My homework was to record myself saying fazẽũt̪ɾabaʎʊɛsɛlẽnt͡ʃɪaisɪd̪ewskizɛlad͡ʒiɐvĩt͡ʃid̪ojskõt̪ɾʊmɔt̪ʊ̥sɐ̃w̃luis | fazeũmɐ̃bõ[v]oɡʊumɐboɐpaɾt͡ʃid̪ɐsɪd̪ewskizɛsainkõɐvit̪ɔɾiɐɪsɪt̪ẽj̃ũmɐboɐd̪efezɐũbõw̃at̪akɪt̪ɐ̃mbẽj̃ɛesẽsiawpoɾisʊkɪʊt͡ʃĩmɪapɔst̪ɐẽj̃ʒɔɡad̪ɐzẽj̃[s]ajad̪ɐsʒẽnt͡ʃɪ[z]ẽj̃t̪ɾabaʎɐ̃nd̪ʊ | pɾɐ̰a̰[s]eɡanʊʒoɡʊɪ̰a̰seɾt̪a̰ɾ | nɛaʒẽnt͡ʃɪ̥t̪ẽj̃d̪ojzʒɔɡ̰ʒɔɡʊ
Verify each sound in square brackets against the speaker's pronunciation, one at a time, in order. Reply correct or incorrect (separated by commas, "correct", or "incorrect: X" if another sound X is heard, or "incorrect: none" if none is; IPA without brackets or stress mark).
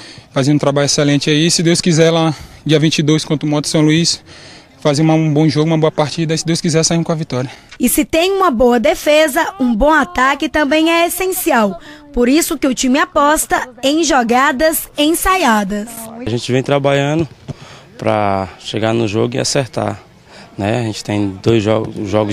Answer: incorrect: ʒ, correct, incorrect: v, incorrect: ʃ